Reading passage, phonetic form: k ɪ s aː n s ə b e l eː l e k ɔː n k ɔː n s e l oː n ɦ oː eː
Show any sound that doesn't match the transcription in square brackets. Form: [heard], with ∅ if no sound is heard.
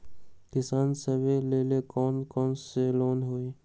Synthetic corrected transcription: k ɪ s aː n s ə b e l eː l e k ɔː n k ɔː n s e l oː n ɦ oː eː

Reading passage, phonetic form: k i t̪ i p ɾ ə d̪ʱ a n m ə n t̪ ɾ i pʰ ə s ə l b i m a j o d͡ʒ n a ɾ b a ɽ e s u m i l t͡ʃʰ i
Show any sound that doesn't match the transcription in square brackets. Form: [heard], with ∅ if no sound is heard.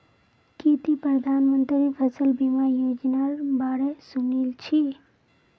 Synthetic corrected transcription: k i t̪ i p ɾ ə d̪ʱ a n m ə n t̪ ɾ i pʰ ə s ə l b i m a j o d͡ʒ n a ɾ b a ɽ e s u [n] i l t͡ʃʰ i

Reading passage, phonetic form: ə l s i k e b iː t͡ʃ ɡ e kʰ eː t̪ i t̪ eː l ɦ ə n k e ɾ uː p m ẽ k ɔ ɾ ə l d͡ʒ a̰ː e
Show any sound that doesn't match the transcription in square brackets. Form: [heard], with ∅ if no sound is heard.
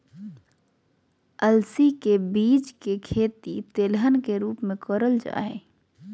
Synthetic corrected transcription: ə l s i k e b iː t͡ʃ [k] e kʰ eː t̪ i t̪ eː l ɦ ə n k e ɾ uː p m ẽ k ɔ ɾ ə l d͡ʒ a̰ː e

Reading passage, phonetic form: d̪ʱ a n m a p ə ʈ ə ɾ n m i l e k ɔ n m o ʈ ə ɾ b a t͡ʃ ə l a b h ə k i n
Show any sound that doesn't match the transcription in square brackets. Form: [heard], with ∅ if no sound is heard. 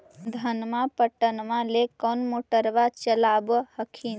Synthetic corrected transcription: d̪ʱ [ə] n m a p ə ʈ ə [∅] n m [a] l e k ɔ n m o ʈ ə ɾ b a t͡ʃ ə l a b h ə [kʰ] i n

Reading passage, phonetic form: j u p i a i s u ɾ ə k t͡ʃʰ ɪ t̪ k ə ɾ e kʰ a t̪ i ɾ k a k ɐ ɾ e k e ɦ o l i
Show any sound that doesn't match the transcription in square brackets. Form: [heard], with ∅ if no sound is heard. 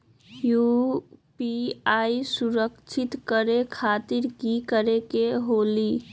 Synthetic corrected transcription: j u p i a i s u ɾ ə k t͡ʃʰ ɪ t̪ k ə ɾ e kʰ a t̪ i ɾ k [i] k [ə] ɾ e k e ɦ o l i

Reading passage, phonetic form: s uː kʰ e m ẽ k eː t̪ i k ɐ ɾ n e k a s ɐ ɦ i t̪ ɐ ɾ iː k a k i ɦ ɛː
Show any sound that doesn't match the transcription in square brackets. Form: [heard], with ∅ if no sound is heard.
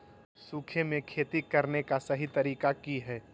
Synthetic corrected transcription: s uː kʰ e m ẽ [kʰ] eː t̪ i k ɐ ɾ n e k a s ɐ ɦ i t̪ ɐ ɾ iː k a k i ɦ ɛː

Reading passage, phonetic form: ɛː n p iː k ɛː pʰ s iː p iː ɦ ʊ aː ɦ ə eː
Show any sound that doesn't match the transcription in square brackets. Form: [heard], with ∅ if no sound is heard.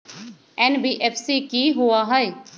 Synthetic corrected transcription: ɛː n [b] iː [ʔ] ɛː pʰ s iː [k] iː ɦ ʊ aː ɦ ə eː

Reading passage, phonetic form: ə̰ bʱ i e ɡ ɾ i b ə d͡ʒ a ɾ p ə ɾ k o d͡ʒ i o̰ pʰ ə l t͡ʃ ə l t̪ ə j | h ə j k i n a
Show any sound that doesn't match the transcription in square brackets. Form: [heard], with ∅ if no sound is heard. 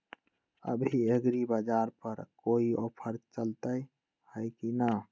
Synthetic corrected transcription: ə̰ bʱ i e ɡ ɾ i b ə d͡ʒ a ɾ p ə ɾ k o [∅] i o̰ pʰ ə [ɾ] t͡ʃ ə l t̪ ə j | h ə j k i n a

